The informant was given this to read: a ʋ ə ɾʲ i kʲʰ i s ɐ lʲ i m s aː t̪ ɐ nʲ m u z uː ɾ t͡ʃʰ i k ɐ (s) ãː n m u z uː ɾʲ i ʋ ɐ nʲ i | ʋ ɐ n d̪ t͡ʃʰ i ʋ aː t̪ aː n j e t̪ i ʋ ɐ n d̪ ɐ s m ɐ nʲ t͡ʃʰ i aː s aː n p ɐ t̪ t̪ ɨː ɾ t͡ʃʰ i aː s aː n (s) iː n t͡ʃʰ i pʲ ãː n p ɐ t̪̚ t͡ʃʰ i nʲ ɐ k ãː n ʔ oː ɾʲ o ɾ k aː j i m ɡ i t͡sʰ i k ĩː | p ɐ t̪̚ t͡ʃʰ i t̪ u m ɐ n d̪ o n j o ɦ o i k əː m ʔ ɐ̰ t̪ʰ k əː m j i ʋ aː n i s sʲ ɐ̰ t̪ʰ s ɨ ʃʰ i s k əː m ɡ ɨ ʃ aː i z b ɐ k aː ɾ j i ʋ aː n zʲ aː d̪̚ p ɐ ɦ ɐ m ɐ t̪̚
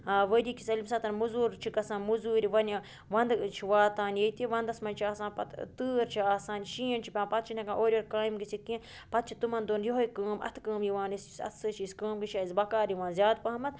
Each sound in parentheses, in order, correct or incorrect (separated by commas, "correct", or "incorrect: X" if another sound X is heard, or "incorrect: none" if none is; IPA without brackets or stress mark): correct, incorrect: ʃ